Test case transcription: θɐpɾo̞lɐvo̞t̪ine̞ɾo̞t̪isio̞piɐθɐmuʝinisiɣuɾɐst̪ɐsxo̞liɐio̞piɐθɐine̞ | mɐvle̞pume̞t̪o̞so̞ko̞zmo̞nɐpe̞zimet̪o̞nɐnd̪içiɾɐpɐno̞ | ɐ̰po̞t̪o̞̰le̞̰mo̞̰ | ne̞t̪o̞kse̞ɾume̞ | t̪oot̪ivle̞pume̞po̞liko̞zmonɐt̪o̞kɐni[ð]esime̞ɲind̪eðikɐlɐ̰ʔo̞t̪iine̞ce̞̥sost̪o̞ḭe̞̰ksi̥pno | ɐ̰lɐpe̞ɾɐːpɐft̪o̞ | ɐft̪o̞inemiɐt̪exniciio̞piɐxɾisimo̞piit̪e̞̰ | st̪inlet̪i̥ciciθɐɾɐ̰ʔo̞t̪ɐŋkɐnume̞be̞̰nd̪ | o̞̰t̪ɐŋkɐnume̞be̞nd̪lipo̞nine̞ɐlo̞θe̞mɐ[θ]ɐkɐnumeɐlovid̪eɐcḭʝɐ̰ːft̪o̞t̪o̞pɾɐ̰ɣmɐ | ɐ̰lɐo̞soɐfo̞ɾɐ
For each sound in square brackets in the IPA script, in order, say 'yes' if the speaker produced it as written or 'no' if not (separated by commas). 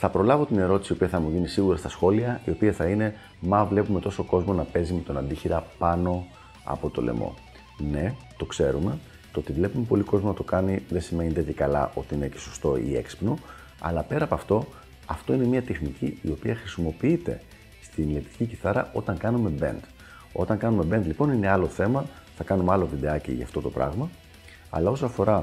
yes, yes